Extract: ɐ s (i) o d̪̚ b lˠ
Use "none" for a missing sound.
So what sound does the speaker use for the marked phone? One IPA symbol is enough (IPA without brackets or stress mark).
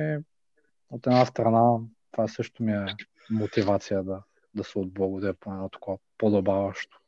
ɛ